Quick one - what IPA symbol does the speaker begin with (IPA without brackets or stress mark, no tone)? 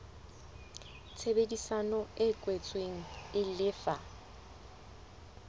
t͡sʰ